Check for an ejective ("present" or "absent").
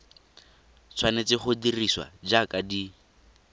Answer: absent